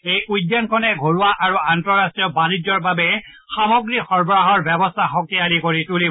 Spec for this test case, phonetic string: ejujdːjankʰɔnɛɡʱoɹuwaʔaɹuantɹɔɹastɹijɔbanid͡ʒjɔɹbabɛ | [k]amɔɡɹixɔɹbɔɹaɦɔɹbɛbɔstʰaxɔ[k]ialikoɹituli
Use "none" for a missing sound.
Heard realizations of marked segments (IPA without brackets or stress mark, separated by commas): x, k